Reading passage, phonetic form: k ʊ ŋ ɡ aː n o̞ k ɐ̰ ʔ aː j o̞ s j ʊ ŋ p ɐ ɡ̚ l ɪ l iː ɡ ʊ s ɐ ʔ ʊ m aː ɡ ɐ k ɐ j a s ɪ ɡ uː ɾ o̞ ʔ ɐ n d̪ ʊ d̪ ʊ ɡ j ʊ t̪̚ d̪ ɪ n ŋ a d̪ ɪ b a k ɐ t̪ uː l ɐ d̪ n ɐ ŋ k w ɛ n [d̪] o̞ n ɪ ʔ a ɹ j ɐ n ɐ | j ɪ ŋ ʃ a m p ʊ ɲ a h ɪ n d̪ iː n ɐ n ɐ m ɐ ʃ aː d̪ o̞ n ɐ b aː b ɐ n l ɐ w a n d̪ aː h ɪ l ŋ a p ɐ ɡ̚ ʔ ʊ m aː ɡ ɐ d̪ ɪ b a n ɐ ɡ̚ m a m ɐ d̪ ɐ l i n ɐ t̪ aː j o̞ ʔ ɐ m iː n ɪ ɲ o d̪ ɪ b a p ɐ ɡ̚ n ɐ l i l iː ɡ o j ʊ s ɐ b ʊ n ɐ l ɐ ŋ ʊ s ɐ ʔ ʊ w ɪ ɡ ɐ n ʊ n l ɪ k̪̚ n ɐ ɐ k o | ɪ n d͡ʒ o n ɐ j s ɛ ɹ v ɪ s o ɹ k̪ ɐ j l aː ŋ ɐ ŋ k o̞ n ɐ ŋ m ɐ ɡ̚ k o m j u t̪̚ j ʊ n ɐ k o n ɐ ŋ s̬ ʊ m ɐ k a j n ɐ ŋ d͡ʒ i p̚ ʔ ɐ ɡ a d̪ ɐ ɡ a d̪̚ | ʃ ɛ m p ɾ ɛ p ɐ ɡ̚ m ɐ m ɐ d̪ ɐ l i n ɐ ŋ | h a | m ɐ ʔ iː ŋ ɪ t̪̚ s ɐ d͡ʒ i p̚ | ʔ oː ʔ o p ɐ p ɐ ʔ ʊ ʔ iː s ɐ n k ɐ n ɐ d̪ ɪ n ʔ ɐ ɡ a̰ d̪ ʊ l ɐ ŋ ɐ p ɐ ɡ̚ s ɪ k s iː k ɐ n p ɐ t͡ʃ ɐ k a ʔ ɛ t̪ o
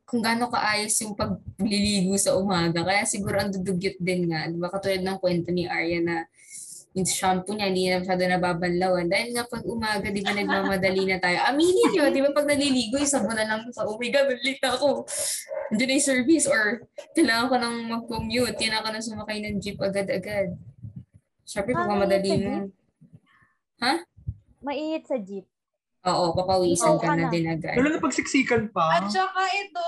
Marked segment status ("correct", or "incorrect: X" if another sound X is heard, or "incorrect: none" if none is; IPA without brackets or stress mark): incorrect: t̪